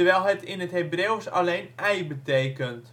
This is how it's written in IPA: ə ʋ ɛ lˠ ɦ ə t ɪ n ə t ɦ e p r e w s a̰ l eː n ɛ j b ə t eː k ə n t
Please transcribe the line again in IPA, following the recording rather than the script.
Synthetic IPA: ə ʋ ɛ lˠ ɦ ə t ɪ n ə t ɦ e b r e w s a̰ l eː n ɛ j b ə t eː k ə n t